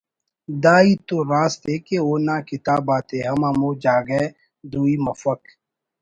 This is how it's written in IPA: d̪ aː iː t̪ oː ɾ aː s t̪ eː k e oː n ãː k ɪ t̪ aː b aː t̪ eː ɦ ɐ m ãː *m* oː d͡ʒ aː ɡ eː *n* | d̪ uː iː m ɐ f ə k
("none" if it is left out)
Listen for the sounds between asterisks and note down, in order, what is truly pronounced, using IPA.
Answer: m, none

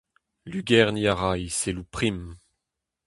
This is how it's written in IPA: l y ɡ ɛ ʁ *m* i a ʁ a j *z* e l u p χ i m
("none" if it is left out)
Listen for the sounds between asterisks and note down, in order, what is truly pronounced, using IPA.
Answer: n, s

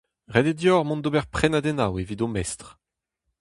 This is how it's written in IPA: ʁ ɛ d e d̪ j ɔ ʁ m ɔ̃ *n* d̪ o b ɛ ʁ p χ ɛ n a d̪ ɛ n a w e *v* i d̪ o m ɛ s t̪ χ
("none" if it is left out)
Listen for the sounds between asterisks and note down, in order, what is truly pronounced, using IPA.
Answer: n, v

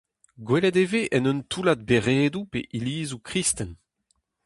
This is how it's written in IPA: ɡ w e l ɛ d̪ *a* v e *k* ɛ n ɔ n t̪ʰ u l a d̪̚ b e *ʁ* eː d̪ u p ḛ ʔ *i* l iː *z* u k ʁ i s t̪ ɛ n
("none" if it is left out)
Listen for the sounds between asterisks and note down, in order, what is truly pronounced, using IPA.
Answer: e, ʔ, ʁ, i, z

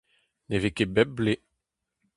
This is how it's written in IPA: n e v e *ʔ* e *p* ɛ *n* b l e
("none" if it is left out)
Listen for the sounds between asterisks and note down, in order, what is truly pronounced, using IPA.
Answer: k, b, none

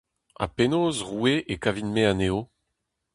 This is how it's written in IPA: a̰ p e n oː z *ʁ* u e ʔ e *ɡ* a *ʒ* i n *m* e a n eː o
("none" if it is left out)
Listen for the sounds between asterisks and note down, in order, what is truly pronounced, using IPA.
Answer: ʁ, k, v, m

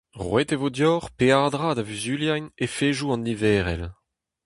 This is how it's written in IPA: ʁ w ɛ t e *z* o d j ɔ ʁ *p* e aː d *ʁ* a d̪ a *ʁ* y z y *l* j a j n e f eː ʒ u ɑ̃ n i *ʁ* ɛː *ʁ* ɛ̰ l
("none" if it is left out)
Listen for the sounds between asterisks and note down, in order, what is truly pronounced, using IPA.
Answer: v, p, ʁ, v, l, v, ʁ

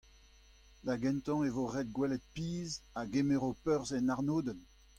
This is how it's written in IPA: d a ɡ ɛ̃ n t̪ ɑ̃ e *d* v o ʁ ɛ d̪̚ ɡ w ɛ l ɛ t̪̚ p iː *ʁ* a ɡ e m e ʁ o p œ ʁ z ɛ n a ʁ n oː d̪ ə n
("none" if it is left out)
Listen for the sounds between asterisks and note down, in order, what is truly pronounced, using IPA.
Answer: none, z

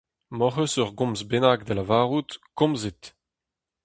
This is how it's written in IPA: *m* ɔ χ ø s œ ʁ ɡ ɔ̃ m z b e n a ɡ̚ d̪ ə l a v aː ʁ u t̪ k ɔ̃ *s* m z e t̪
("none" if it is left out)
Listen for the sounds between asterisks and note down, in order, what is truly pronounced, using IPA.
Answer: m, none

